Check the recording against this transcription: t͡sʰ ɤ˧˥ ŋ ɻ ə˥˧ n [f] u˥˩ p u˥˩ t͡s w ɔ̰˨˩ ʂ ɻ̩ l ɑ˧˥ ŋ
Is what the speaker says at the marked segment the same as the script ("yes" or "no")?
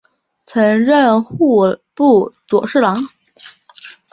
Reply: no